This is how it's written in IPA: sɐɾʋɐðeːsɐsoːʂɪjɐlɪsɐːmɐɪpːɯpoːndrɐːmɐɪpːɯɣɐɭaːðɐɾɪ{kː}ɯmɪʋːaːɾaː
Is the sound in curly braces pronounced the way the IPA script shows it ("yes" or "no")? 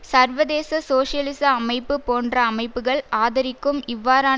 yes